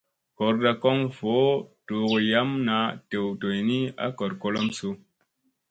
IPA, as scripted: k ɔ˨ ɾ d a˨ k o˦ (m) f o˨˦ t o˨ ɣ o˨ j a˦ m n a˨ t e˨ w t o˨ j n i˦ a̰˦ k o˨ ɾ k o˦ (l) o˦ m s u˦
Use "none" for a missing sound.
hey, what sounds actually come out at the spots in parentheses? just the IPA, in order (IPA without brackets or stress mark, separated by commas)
ŋ, l